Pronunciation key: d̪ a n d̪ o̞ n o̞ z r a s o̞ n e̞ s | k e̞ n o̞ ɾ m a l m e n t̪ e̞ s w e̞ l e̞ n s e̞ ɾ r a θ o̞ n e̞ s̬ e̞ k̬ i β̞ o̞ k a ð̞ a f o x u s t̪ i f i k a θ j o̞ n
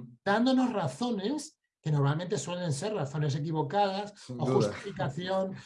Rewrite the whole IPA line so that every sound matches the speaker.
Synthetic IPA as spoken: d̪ a n d̪ o̞ n o̞ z r a θ o̞ n e̞ s | k e̞ n o̞ ɾ m a l m e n t̪ e̞ s w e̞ l e̞ n s e̞ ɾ r a θ o̞ n e̞ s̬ e̞ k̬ i β̞ o̞ k a ð̞ a s o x u s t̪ i f i k a θ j o̞ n